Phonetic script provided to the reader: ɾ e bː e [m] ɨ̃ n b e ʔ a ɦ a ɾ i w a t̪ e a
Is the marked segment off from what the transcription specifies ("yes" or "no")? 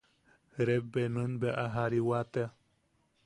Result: yes